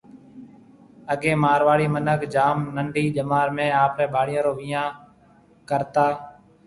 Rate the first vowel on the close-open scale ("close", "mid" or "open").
mid